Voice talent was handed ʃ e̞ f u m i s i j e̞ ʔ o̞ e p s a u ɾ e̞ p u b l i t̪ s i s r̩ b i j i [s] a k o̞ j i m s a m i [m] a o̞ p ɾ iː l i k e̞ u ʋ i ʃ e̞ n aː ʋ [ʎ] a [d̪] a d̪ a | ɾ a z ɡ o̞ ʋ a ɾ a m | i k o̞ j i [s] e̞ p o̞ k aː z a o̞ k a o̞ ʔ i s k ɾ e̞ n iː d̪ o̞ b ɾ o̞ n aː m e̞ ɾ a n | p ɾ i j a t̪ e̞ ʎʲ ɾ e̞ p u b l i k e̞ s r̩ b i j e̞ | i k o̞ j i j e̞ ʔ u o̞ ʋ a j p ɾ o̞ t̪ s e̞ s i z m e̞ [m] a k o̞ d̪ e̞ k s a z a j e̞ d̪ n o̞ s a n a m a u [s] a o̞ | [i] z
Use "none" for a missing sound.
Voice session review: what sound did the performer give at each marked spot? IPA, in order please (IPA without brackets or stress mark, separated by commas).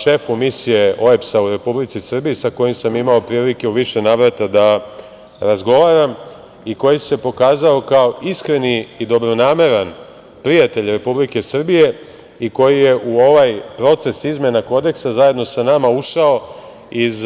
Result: s, m, ɾ, t̪, s, n, ʃ, i